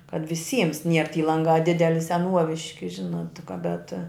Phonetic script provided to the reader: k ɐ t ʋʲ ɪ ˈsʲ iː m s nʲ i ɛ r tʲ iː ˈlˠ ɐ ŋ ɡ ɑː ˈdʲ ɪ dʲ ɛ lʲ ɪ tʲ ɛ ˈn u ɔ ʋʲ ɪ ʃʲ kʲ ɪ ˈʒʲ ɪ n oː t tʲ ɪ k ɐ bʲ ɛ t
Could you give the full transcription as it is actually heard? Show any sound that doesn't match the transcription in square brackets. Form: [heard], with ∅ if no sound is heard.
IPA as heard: k ɐ t ʋʲ ɪ ˈsʲ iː m s nʲ i ɛ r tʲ iː ˈlˠ ɐ ŋ ɡ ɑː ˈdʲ ɪ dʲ ɛ lʲ ɪ [sʲ] ɛ ˈn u ɔ ʋʲ ɪ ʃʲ kʲ ɪ ˈʒʲ ɪ n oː t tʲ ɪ k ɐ bʲ ɛ t